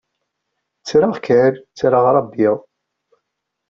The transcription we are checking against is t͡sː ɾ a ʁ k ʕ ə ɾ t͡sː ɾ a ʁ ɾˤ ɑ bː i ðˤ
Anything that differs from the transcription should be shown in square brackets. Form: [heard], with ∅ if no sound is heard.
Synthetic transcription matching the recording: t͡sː ɾ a ʁ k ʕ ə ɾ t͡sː ɾ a ʁ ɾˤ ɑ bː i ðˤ